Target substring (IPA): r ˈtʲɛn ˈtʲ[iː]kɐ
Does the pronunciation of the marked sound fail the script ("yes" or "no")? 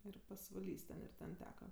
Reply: yes